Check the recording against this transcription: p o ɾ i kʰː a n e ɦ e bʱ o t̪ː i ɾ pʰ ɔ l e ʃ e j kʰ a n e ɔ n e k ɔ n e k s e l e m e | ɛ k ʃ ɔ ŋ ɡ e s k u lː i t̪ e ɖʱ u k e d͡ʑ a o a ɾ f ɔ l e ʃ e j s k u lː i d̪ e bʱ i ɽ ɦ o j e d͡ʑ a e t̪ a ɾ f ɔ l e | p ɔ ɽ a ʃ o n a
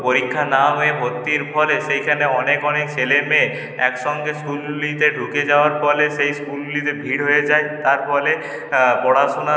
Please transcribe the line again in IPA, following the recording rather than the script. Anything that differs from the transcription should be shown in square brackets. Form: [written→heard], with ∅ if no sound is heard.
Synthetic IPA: p o ɾ i kʰː a n [e→a] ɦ e bʱ o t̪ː i ɾ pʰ ɔ l e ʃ e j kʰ a n e ɔ n e k ɔ n e k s e l e m e | ɛ k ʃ ɔ ŋ ɡ e s k u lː i t̪ e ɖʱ u k e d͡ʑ a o a ɾ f ɔ l e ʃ e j s k u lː i [d̪→t̪] e bʱ i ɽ ɦ o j e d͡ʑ a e t̪ a ɾ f ɔ l e | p ɔ ɽ a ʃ o n a